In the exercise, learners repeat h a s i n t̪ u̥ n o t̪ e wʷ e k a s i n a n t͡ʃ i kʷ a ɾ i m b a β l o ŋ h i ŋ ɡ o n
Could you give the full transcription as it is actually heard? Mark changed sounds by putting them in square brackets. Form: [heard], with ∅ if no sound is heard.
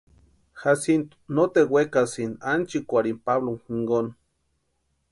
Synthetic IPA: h a s i n t̪ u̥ n o t̪ e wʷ e k a s i n a n t͡ʃ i kʷ a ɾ i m [p] a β l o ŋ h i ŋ ɡ o n